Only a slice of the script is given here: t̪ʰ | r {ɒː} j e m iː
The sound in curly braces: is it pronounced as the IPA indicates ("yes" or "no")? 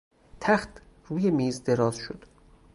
no